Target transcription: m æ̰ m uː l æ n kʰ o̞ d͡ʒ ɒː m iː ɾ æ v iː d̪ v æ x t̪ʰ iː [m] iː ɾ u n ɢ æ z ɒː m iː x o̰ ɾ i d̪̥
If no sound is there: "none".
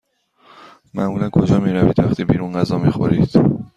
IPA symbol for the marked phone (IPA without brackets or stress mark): b